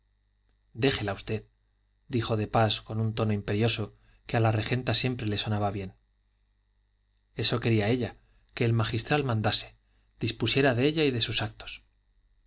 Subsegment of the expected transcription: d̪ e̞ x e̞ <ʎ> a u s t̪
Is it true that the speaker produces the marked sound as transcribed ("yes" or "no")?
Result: no